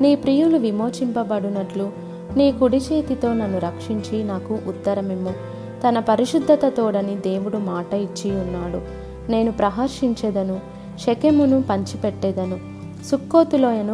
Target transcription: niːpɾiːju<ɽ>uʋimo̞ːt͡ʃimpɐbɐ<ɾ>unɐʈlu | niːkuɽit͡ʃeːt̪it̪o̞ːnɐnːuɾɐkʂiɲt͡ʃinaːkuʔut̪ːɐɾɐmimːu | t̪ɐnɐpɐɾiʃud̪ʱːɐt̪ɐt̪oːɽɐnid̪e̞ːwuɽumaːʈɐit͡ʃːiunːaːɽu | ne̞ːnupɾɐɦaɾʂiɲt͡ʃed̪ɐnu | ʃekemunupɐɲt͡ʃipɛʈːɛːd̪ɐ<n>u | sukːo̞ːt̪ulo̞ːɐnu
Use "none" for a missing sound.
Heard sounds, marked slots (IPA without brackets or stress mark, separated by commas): l, ɽ, n